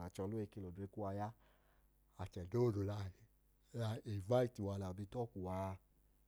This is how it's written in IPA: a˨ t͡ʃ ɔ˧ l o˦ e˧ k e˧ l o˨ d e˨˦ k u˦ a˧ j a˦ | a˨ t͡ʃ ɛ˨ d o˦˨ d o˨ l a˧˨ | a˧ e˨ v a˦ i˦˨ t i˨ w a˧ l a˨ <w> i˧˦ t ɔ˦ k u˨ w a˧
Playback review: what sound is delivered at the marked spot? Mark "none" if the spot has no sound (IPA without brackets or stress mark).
b